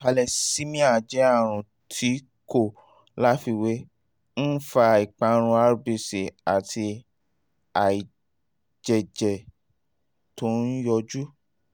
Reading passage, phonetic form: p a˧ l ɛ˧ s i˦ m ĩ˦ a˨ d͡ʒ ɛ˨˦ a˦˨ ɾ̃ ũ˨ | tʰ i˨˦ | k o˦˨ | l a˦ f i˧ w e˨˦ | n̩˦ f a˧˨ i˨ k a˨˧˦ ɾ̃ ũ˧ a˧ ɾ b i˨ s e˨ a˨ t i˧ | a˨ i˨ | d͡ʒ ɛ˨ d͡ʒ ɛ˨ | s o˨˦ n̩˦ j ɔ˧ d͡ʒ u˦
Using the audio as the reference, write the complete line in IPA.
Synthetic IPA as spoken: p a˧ l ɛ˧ s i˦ m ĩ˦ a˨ d͡ʒ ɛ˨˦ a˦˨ ɾ̃ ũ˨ | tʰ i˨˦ | k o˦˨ | l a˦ f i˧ w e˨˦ | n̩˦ f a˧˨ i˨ k͡p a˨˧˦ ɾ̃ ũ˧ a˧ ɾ b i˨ s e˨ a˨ t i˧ | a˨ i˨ | d͡ʒ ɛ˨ d͡ʒ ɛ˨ | t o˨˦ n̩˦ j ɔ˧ d͡ʒ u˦